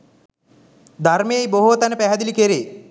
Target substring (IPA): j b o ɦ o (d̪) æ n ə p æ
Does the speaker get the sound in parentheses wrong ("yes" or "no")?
yes